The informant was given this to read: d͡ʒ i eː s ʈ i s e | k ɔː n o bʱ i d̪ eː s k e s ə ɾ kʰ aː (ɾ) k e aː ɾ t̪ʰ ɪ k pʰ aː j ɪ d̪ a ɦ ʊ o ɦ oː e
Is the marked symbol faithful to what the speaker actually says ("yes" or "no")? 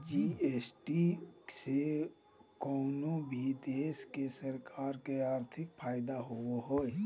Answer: yes